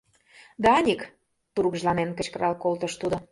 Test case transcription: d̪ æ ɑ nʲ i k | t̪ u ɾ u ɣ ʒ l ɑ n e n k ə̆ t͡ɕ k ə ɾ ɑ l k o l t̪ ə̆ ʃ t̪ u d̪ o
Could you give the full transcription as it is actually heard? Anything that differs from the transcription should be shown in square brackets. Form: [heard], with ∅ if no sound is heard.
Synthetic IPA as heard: d̪ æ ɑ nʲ i k | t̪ u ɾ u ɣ ʒ l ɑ n e n k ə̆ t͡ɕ k ə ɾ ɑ l k o l t̪ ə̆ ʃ t̪ u d̪ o